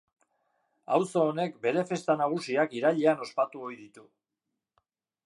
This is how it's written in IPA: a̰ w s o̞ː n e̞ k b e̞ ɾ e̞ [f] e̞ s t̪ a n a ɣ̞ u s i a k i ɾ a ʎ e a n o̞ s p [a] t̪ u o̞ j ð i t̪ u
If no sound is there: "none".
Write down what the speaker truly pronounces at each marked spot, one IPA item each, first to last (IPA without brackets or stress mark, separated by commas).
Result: f, a